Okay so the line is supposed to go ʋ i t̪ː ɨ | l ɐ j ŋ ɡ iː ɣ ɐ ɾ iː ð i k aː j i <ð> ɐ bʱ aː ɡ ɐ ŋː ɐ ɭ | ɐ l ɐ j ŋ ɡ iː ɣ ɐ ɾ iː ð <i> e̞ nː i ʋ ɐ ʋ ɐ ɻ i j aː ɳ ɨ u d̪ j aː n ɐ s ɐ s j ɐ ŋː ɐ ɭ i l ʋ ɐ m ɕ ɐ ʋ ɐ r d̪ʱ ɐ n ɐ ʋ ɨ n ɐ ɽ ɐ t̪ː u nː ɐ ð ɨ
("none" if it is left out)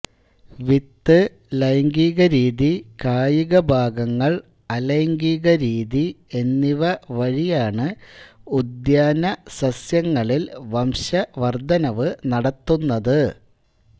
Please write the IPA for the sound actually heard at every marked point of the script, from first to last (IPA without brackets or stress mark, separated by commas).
ɣ, i